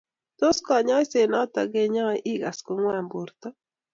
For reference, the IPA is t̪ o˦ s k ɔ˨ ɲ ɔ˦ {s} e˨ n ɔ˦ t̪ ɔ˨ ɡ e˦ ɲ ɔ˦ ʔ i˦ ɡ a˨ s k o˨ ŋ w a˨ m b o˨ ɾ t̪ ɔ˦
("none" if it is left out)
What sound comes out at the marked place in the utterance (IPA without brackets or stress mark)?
s